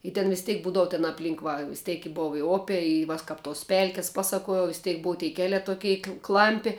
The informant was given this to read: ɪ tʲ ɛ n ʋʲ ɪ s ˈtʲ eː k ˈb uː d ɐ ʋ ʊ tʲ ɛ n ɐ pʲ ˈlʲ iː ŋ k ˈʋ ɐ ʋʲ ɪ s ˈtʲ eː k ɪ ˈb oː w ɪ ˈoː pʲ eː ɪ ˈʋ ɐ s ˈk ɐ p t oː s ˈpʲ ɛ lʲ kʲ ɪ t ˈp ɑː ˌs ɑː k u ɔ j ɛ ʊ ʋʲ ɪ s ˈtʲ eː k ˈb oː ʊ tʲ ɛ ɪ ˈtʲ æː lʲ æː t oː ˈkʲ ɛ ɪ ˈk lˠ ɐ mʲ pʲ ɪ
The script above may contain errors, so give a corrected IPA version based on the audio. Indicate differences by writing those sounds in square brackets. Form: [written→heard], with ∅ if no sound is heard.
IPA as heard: ɪ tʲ ɛ n ʋʲ ɪ s ˈtʲ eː k ˈb uː d ɐ ʋ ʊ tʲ ɛ n ɐ pʲ ˈlʲ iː ŋ k ˈʋ ɐ ʋʲ ɪ s ˈtʲ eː k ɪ ˈb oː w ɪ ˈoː pʲ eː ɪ ˈʋ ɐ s ˈk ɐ p t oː s ˈpʲ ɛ lʲ kʲ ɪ [t→s] ˈp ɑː ˌs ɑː k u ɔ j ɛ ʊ ʋʲ ɪ s ˈtʲ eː k ˈb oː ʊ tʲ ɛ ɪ [ˈtʲ→ˈkʲ] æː lʲ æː t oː ˈkʲ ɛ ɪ ˈk lˠ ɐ mʲ pʲ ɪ